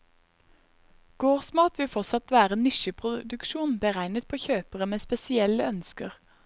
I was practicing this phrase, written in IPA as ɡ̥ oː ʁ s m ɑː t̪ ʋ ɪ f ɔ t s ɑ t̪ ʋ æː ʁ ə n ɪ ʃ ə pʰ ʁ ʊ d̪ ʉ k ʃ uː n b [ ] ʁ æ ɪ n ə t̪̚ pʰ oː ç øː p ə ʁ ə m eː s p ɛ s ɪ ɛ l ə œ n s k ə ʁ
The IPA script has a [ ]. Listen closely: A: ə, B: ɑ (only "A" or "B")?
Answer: A